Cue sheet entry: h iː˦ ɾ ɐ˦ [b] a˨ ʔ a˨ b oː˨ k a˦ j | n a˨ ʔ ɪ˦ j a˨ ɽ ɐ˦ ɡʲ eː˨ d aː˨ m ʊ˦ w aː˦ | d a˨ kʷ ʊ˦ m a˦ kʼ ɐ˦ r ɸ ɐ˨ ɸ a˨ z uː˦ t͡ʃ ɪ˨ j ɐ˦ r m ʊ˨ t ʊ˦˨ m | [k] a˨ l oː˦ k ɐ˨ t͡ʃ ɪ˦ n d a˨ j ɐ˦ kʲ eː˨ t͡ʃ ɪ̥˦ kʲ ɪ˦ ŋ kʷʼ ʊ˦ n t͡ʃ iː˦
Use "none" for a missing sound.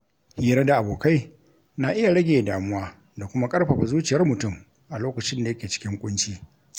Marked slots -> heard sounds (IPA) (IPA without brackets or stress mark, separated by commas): d, ʔ